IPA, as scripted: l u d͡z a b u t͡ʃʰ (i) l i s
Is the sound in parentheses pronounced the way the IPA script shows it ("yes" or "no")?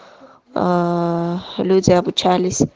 no